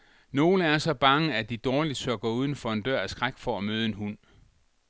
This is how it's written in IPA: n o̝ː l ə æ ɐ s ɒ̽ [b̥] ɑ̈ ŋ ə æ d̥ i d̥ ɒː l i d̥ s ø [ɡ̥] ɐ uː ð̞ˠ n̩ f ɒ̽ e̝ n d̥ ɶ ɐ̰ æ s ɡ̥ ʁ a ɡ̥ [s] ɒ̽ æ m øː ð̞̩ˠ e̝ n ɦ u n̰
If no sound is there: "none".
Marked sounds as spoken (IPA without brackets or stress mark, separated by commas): b̥, ɡ̥, f